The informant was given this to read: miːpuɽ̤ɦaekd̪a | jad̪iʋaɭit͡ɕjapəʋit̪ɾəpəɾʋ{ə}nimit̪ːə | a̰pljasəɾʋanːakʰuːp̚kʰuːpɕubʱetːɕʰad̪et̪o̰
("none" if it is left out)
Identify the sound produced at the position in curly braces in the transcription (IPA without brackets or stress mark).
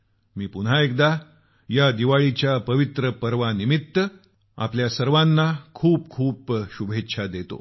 a